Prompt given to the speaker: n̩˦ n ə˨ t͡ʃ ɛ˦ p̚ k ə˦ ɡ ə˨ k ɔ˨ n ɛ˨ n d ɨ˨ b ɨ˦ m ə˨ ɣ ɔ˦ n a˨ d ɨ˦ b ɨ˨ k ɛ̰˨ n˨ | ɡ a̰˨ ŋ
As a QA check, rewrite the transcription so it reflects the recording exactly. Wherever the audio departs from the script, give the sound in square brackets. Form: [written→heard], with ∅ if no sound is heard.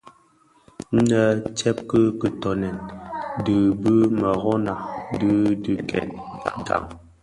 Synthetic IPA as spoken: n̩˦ n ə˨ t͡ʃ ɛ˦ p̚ k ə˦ [ɡ→k] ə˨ [k→t] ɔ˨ n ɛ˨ n d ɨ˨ b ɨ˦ m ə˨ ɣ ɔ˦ n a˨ d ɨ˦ [b→d] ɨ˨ k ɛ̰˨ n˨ | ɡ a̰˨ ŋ